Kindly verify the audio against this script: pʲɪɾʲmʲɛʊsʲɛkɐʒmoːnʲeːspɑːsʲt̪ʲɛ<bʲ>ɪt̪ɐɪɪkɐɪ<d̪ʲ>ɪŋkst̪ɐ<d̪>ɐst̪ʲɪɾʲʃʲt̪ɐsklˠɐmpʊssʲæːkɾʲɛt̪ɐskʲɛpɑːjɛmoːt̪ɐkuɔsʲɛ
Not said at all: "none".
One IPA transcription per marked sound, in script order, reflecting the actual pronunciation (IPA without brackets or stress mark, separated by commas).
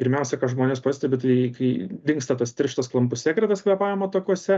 bʲ, d̪ʲ, t̪